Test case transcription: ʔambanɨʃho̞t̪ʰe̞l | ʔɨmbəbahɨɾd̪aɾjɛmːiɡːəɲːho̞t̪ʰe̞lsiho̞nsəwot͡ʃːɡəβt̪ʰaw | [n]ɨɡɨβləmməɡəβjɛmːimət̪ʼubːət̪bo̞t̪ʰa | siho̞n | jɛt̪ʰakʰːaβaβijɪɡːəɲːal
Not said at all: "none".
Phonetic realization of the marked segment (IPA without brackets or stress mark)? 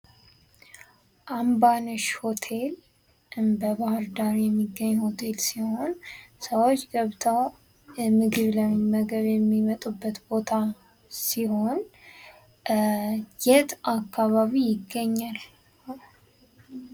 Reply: m